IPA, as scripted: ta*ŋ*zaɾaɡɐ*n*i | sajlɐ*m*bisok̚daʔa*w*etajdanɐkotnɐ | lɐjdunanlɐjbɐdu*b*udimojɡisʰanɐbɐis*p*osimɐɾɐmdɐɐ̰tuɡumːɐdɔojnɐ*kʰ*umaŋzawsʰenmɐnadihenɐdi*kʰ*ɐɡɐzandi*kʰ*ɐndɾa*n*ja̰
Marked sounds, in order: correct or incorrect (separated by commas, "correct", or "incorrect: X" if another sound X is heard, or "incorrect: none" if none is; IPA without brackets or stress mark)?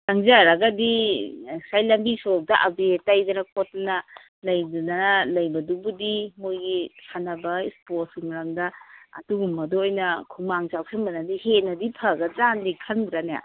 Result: correct, incorrect: d, correct, incorrect: b, correct, correct, correct, incorrect: pʰ, correct, correct